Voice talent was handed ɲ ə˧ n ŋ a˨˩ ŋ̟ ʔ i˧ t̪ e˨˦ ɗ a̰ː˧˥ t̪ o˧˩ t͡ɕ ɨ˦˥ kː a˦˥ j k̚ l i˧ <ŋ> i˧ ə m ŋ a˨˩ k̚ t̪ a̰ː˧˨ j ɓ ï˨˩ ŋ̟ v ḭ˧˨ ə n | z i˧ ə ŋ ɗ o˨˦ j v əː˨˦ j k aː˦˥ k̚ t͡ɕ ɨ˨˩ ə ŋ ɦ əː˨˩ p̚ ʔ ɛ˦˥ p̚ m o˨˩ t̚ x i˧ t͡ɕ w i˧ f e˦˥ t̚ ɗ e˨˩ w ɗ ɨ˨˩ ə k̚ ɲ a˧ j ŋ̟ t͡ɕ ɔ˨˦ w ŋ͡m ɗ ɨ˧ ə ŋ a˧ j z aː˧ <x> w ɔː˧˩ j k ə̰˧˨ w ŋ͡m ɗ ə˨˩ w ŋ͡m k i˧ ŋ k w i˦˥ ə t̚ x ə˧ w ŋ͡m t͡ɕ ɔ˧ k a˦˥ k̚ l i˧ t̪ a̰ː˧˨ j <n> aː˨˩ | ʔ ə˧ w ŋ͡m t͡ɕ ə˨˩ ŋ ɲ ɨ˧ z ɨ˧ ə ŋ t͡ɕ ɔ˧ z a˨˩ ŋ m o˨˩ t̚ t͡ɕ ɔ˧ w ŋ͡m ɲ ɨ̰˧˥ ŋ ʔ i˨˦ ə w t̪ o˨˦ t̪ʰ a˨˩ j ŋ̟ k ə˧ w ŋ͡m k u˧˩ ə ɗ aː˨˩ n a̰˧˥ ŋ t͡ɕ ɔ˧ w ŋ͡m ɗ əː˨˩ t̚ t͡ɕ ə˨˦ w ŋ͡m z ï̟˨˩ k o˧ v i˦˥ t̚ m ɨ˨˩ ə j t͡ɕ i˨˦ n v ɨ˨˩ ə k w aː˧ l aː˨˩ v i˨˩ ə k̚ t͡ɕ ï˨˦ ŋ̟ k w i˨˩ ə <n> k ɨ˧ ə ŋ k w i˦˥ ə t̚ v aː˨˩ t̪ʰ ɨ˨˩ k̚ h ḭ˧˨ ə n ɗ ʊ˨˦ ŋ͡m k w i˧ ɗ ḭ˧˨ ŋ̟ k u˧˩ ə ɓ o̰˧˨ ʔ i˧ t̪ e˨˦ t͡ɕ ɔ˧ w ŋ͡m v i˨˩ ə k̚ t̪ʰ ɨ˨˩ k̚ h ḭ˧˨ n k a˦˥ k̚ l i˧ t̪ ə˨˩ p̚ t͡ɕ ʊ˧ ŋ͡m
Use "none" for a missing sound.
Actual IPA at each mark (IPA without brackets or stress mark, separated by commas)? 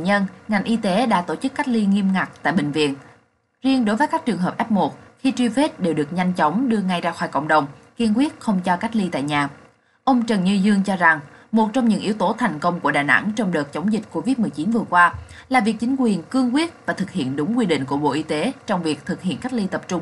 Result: ŋ, x, ɲ, n